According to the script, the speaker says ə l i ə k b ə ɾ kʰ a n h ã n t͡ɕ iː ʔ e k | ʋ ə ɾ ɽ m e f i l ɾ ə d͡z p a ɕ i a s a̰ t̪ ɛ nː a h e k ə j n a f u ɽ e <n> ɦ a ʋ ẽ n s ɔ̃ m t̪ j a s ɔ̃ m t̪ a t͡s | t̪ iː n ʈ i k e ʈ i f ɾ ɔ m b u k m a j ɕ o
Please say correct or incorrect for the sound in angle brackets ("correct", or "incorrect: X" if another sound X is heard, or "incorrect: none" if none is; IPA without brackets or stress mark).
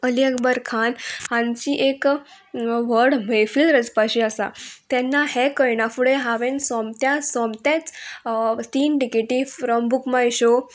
incorrect: none